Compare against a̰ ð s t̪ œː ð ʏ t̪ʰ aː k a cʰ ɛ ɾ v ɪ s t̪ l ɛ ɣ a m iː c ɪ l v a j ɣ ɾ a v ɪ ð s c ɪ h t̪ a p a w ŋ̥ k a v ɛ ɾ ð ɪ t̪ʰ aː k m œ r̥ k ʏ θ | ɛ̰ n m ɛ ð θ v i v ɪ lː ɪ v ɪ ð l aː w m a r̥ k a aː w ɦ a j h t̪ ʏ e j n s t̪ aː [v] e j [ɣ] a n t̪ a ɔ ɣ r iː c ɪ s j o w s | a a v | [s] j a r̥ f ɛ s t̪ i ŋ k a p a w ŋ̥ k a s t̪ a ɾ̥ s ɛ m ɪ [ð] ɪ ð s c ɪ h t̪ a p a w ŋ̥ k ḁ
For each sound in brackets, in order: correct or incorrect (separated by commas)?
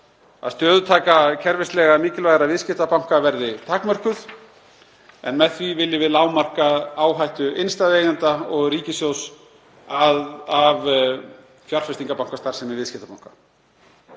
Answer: incorrect, incorrect, incorrect, incorrect